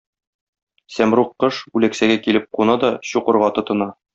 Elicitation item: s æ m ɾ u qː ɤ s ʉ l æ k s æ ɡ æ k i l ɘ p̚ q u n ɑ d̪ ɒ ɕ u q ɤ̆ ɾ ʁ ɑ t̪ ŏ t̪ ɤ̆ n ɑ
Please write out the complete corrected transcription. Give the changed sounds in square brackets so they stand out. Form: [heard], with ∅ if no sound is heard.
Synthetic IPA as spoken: s æ m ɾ u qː ɤ [ʃ] ʉ l æ k s æ ɡ æ k i l ɘ p̚ q u n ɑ d̪ ɒ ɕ u q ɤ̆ ɾ ʁ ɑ t̪ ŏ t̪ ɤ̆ n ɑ